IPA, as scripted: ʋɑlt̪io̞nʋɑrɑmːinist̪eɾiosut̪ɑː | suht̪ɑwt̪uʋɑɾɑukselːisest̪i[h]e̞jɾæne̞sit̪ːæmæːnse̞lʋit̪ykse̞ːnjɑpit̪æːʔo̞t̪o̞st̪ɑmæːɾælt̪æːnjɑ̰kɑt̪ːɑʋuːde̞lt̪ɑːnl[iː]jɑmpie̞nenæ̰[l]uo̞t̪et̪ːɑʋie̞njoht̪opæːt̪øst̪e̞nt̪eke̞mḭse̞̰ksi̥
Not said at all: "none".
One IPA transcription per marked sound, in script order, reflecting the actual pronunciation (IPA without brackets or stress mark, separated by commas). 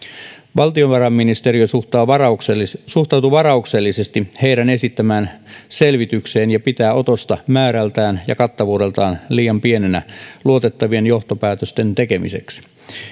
h, iː, l